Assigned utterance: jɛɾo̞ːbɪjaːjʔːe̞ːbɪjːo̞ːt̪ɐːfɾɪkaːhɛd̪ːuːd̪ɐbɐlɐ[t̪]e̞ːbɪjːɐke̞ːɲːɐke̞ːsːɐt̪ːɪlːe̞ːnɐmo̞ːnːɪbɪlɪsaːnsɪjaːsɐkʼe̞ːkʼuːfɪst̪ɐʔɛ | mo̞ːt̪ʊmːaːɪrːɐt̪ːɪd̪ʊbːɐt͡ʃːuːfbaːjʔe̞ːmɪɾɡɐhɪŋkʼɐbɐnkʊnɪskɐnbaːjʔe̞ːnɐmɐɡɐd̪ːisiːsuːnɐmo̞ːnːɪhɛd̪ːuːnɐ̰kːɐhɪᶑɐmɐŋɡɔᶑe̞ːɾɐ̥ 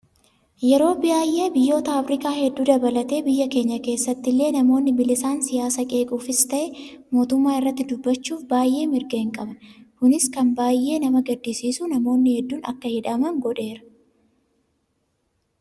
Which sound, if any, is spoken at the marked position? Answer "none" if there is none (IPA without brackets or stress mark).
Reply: t̪